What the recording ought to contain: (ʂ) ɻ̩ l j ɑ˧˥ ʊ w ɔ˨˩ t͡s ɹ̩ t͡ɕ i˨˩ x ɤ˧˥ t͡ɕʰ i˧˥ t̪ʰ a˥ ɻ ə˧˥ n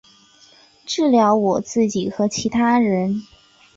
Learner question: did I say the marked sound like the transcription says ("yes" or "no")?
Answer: no